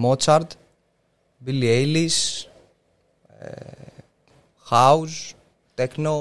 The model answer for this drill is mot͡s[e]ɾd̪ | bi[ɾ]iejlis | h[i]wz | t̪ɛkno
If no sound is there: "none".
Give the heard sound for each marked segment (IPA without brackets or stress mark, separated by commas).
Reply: a, l, a